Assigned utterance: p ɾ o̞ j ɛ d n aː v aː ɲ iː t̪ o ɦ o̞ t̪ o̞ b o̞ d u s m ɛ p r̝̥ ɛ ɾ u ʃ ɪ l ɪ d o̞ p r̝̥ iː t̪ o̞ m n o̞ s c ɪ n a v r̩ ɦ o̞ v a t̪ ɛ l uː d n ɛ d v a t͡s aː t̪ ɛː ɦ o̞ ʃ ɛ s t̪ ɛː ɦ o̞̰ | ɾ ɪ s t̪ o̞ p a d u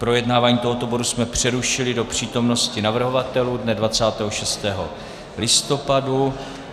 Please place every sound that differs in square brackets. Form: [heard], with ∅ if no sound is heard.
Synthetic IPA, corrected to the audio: p ɾ o̞ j ɛ d n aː v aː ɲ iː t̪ o ɦ o̞ t̪ o̞ b o̞ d u s m ɛ p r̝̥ ɛ ɾ u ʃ ɪ l ɪ d o̞ p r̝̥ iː t̪ o̞ m n o̞ s c ɪ n a v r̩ ɦ o̞ v a t̪ ɛ l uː d n ɛ d v a t͡s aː t̪ ɛː ɦ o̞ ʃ ɛ s t̪ ɛː ɦ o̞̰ | [l] ɪ s t̪ o̞ p a d u